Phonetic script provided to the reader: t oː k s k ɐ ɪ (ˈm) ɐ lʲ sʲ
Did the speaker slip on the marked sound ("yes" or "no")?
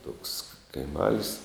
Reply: no